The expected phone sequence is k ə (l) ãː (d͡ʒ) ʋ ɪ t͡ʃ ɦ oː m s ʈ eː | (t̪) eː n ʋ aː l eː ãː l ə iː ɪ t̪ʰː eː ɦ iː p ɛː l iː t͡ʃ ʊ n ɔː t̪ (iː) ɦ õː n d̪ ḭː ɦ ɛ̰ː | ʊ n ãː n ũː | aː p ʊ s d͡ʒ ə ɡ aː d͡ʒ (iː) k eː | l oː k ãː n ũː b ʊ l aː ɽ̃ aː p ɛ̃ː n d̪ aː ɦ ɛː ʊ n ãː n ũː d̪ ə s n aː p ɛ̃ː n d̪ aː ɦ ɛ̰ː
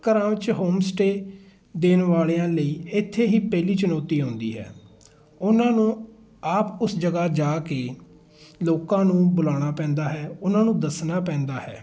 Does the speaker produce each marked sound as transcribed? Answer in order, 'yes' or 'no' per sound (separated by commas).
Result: no, no, no, yes, no